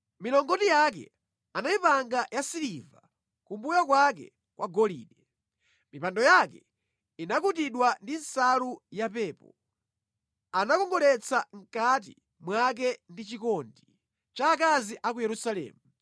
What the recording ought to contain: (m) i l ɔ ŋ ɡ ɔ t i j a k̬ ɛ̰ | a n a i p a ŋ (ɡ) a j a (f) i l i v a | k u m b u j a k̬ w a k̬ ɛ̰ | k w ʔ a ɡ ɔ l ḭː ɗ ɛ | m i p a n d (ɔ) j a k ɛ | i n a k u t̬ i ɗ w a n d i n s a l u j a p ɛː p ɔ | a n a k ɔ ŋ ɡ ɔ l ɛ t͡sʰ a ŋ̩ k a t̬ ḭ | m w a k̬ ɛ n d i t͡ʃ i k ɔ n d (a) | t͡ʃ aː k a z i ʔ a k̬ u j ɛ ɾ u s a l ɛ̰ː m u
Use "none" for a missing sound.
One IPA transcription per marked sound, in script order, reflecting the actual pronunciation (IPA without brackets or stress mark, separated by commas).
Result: m, ɡ, s, ɔ, i